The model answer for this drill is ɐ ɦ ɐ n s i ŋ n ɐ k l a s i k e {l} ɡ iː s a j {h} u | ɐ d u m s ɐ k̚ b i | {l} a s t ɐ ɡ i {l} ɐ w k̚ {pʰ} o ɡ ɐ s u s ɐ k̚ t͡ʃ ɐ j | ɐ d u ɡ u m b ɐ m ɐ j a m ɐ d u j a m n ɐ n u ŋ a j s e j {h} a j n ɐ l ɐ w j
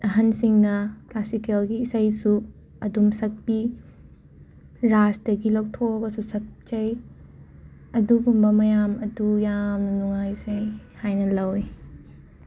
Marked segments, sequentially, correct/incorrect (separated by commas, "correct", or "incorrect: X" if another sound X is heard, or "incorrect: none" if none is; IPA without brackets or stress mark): correct, incorrect: s, incorrect: ɾ, correct, incorrect: tʰ, correct